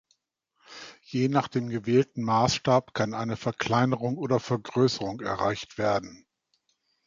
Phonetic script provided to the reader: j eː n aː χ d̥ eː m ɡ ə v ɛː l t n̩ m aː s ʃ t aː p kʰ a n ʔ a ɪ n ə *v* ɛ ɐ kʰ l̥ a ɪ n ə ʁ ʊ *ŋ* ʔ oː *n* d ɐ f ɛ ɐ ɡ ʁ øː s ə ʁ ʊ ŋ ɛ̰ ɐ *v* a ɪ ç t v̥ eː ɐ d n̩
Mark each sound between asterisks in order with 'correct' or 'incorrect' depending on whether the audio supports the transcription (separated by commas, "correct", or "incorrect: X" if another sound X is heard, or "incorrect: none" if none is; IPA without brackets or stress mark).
incorrect: f, correct, incorrect: none, incorrect: ʁ